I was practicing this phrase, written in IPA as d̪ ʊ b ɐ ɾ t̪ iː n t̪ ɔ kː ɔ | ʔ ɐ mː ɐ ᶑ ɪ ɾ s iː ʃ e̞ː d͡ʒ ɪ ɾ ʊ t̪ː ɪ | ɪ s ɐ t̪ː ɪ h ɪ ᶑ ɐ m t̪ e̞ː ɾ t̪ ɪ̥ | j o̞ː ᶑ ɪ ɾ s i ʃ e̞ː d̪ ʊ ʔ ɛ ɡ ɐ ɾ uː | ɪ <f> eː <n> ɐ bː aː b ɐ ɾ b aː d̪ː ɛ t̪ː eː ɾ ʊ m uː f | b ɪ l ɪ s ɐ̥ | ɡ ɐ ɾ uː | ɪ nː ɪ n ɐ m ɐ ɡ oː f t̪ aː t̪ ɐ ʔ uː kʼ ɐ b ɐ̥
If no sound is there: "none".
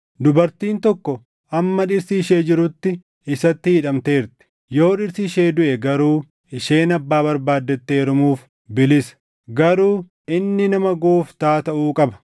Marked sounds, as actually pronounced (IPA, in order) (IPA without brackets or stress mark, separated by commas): ʃ, n